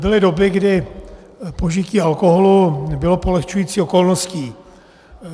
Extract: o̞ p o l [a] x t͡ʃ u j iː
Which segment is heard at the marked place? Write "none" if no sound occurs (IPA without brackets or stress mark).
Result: ɛ